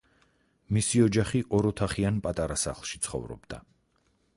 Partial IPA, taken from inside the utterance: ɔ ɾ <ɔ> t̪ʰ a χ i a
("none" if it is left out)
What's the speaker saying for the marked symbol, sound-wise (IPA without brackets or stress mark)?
ɔ